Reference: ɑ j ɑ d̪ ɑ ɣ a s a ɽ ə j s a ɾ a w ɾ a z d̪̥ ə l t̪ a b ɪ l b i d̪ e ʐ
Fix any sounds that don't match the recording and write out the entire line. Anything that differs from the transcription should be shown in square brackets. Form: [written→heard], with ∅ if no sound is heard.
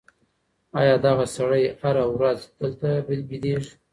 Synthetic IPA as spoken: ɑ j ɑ d̪ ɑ ɣ a s a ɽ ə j [s→h] a ɾ a w ɾ a z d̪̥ ə l t̪ a b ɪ l b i d̪ e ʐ